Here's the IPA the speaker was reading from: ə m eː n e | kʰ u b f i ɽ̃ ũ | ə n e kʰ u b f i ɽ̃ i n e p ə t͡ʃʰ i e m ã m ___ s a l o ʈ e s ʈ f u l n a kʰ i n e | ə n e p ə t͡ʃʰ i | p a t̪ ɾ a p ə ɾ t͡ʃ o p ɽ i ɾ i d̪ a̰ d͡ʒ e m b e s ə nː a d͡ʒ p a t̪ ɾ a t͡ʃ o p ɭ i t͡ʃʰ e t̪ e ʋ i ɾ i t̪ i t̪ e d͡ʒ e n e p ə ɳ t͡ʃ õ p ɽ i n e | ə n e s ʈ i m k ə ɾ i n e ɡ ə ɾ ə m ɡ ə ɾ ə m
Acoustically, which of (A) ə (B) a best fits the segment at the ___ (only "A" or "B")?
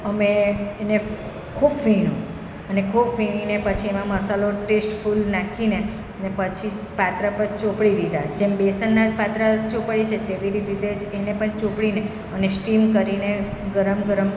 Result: A